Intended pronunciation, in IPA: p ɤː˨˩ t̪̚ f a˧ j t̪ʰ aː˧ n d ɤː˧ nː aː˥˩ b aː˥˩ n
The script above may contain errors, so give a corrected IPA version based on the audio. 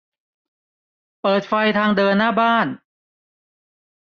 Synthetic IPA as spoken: p ɤː˨˩ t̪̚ f a˧ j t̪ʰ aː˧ ŋ d ɤː˧ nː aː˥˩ b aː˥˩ n